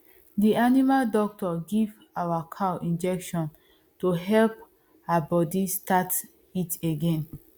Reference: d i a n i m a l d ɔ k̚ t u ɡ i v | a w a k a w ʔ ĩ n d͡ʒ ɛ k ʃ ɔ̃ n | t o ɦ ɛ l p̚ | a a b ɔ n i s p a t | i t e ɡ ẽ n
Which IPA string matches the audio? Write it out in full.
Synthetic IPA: d i a n i m a l d ɔ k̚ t ɔ ɡ i v | a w a kʰ a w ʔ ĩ n d͡ʒ ɛ k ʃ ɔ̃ n | t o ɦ ɛ l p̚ | a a b ɔ d i s t a t | i t e ɡ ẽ n